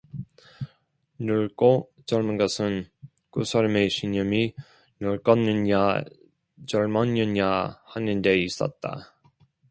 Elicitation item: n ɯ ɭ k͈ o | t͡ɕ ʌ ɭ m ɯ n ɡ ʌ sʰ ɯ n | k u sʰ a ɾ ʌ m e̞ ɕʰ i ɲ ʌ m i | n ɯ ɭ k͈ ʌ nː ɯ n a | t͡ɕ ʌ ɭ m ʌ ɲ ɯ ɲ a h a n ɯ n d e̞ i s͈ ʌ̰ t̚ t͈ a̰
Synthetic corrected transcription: n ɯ ɭ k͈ o | t͡ɕ ʌ ɭ m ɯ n ɡ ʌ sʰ ɯ n | k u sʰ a ɾ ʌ m e̞ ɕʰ i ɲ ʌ m i | n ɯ ɭ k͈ ʌ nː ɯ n a | t͡ɕ ʌ ɭ m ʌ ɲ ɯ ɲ a h a n ɯ n d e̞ i s͈ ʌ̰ t̚ t͈ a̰